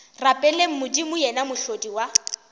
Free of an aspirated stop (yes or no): yes